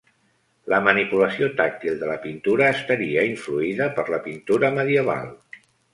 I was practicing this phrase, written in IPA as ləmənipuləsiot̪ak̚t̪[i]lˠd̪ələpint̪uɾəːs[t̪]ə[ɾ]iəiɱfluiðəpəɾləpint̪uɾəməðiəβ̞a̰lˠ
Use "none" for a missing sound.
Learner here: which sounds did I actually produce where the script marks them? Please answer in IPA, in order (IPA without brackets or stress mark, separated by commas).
i, t̪, ɾ